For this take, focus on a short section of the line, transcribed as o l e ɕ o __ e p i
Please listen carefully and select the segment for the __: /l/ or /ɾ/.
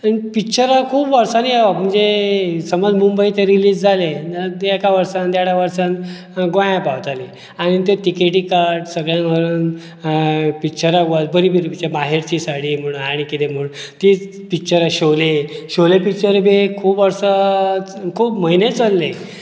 l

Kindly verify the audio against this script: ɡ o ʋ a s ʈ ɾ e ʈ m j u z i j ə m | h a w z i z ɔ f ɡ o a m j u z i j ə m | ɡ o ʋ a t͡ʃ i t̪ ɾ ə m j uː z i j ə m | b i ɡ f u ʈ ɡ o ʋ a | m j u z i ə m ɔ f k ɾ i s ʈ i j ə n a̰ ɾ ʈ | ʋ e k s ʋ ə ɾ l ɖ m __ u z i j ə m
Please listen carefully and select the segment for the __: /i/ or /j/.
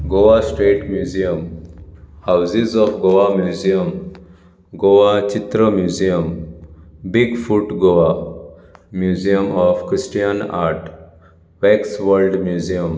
j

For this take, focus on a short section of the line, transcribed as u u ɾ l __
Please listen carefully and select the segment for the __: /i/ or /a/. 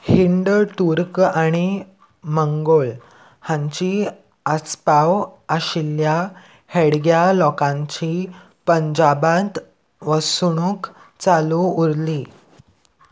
i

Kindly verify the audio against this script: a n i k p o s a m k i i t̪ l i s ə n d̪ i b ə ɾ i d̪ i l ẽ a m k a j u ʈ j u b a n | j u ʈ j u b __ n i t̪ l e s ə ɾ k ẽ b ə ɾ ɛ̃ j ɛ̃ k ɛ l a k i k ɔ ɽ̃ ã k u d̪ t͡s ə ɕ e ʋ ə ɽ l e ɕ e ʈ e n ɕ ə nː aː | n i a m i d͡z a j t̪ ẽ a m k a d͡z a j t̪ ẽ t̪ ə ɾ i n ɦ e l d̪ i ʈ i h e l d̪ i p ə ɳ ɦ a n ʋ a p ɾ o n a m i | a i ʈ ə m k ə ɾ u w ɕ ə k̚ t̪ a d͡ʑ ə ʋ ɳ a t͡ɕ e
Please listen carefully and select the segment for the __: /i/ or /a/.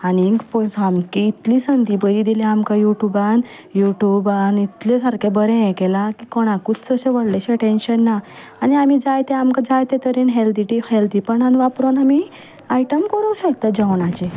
a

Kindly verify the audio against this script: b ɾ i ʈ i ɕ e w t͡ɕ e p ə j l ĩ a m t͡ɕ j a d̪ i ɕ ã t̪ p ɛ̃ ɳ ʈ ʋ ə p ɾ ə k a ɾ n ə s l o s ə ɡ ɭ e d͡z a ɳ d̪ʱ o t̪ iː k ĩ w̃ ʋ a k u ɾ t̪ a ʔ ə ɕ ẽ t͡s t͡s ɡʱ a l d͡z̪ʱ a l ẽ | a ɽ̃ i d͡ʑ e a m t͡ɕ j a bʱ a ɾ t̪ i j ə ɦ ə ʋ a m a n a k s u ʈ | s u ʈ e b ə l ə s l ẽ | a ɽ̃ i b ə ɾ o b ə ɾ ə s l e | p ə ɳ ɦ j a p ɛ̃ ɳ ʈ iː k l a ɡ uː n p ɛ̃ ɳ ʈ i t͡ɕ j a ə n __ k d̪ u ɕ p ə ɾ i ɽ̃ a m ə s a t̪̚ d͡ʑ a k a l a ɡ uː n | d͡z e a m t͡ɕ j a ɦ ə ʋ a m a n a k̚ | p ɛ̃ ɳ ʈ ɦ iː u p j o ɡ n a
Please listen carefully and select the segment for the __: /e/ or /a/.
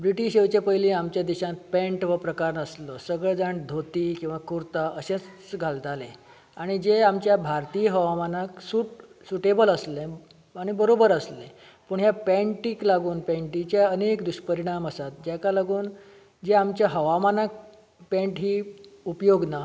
e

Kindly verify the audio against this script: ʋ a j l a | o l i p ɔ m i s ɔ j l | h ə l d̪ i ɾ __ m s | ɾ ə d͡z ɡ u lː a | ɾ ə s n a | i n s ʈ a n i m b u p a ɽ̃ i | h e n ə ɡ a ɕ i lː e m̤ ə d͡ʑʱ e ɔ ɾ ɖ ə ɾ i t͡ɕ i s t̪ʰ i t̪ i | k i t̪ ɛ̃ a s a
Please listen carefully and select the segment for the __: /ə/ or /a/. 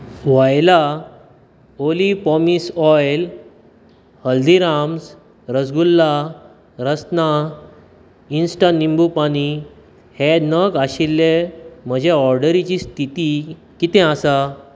a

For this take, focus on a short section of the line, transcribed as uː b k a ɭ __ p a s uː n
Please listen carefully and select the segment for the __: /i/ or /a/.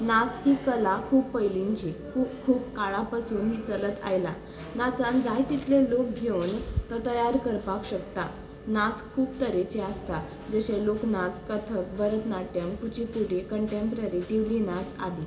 a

